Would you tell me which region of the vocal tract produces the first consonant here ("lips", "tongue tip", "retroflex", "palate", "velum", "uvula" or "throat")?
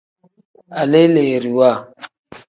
tongue tip